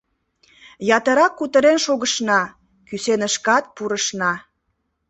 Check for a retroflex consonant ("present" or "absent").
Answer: absent